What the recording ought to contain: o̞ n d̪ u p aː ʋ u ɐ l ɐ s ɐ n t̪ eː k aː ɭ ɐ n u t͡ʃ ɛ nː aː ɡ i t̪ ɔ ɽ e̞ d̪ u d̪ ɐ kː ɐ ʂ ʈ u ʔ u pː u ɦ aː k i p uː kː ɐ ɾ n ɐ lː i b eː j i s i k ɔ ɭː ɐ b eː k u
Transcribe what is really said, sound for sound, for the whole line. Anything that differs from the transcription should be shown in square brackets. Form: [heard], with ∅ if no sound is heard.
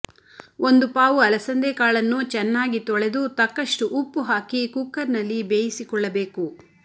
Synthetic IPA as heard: o̞ n d̪ u p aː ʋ u ɐ l ɐ s ɐ n [d̪] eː k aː ɭ ɐ [nː] u t͡ʃ ɛ nː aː ɡ i t̪ ɔ [ɭ] e̞ d̪ u [t̪] ɐ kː ɐ ʂ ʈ u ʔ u pː u ɦ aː k i [k] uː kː ɐ ɾ n ɐ lː i b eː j i s i k ɔ ɭː ɐ b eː k u